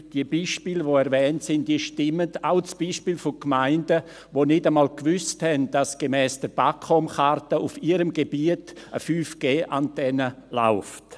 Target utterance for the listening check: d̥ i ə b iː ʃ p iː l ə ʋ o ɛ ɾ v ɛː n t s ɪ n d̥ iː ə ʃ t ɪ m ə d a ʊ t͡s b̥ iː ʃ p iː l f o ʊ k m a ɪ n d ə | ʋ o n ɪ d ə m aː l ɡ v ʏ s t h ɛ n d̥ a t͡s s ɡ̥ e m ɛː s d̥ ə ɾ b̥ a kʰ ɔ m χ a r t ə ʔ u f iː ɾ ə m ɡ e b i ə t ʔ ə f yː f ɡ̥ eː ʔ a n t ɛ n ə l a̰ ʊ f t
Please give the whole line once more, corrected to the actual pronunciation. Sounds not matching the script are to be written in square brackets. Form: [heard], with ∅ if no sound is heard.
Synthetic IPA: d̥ i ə b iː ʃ p iː l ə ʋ o ɛ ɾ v ɛː n t s ɪ n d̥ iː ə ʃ t ɪ m ə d a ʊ t͡s b̥ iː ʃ p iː l f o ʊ k m a ɪ n d ə | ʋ o n ɪ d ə m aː l [k] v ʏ s t h ɛ n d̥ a [∅] s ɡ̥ e m ɛː s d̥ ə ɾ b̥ a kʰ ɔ m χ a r t ə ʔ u f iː ɾ ə m ɡ e b i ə t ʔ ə f yː f ɡ̥ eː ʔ a n t ɛ n ə l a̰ ʊ f t